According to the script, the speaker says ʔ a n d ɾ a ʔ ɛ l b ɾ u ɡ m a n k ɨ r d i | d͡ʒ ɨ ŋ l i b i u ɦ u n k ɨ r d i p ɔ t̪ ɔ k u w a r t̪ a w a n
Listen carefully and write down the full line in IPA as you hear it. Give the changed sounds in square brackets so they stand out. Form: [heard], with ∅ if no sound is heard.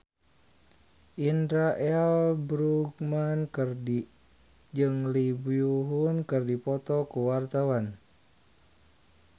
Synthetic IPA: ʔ [i] n d ɾ a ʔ ɛ l b ɾ u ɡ m a n k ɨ r d i | d͡ʒ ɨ ŋ l i b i u ɦ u n k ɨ r d i p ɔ t̪ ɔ k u w a r t̪ a w a n